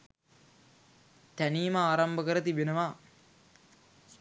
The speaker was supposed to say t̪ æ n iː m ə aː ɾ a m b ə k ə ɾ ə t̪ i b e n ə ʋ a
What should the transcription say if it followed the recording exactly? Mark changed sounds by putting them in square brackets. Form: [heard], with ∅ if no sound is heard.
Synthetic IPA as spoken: t̪ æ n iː m ə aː ɾ a m b ə k ə ɾ ə t̪ i b e n ə ʋ a